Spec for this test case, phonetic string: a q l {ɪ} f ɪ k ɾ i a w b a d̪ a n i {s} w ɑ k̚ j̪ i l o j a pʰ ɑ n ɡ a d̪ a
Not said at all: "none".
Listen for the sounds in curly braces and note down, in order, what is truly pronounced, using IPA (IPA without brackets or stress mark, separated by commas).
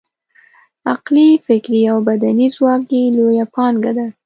i, z